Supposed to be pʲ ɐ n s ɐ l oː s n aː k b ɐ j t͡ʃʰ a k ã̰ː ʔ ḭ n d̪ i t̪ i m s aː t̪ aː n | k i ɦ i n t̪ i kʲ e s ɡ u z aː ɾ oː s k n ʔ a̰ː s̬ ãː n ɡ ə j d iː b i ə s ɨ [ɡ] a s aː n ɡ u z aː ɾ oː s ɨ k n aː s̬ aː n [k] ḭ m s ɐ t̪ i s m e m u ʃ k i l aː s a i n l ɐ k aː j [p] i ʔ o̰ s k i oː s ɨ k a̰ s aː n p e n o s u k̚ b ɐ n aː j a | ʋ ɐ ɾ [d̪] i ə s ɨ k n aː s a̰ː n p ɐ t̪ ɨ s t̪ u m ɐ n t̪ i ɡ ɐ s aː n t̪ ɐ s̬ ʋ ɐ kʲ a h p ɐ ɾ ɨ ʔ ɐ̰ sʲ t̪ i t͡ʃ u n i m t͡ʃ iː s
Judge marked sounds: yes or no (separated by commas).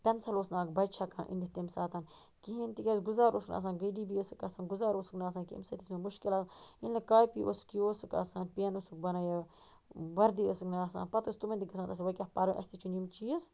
no, yes, yes, yes